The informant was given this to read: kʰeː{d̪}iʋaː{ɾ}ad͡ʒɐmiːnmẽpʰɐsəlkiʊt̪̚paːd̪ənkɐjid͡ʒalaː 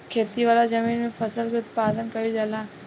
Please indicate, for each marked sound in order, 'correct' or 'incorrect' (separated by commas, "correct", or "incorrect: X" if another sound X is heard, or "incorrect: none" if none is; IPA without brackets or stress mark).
incorrect: t̪, incorrect: l